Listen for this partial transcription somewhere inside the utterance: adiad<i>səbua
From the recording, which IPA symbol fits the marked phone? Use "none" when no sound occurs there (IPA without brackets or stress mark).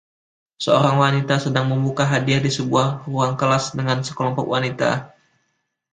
i